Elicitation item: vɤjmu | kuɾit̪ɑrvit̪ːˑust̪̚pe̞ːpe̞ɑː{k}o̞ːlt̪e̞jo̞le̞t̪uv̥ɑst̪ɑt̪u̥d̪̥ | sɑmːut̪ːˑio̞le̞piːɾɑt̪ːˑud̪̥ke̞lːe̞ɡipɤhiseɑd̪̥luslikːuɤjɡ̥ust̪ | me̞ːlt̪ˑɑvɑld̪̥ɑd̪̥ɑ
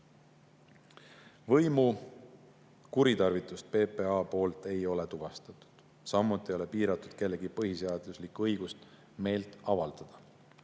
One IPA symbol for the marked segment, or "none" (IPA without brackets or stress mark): p